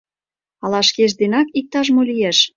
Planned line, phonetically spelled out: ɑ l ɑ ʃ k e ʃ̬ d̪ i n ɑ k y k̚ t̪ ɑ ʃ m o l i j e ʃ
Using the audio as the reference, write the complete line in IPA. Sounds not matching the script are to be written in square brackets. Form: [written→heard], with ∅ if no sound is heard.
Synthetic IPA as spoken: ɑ l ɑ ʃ k e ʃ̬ d̪ [i→e] n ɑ k [y→i] k̚ t̪ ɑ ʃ m o l i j e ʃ